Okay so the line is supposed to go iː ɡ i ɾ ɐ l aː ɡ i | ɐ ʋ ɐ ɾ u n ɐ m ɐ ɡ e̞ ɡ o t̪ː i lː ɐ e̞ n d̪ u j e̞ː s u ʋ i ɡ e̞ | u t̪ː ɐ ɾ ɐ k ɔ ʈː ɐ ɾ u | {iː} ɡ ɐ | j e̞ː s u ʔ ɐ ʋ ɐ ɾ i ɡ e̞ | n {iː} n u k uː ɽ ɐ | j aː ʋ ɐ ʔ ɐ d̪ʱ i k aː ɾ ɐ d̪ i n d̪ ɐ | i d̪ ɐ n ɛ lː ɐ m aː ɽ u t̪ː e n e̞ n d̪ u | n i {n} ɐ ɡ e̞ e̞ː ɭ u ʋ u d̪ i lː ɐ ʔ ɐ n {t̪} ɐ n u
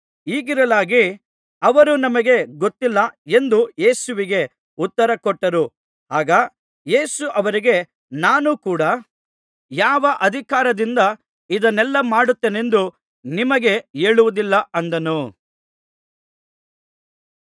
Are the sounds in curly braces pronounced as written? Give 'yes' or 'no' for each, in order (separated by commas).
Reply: no, no, no, no